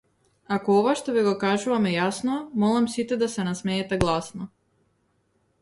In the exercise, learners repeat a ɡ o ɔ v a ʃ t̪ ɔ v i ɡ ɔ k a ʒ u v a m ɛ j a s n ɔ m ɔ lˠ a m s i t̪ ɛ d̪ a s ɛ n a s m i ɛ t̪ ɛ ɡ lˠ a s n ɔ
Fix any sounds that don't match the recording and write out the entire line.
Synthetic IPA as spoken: a k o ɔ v a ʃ t̪ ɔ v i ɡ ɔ k a ʒ u v a m ɛ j a s n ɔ m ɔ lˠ a m s i t̪ ɛ d̪ a s ɛ n a s m ɛ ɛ t̪ ɛ ɡ lˠ a s n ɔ